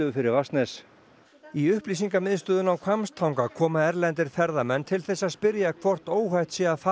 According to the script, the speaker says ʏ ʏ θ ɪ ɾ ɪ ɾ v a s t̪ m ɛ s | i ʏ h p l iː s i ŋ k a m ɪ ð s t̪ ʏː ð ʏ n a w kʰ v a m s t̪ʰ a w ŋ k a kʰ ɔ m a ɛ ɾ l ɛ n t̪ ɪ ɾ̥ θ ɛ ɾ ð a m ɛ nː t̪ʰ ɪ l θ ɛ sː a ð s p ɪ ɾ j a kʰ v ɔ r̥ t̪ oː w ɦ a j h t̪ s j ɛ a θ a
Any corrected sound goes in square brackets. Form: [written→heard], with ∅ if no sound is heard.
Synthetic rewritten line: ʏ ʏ [θ→f] ɪ ɾ ɪ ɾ v a s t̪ [m→n] ɛ s | i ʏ h p l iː s i ŋ k a m ɪ ð s t̪ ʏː ð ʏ n a w kʰ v a m s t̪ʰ a w ŋ k a kʰ [ɔ→ɔː] m a ɛ ɾ l ɛ n t̪ ɪ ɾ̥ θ ɛ ɾ ð a m ɛ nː t̪ʰ ɪ l θ ɛ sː a ð s p ɪ ɾ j a kʰ v ɔ r̥ t̪ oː w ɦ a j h t̪ s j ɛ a θ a